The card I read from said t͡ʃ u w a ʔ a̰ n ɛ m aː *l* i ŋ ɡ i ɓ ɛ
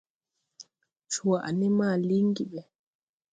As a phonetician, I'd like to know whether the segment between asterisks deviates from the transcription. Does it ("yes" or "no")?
no